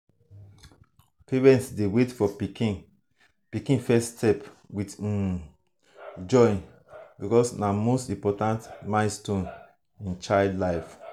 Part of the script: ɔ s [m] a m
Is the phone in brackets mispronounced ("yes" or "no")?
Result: yes